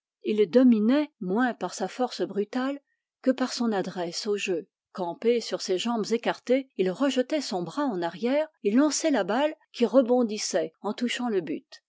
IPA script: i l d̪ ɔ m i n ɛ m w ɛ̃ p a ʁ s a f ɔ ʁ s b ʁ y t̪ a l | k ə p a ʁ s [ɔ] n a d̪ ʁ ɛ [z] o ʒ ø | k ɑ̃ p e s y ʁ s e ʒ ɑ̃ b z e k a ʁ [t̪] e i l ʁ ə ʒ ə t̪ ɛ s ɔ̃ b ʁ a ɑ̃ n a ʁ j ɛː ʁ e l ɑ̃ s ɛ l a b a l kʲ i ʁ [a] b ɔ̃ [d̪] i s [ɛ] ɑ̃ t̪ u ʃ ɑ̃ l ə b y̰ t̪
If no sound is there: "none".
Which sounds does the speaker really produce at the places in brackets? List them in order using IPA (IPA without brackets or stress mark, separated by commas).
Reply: ɔ̃, s, t̪, ə, d̪, ɛ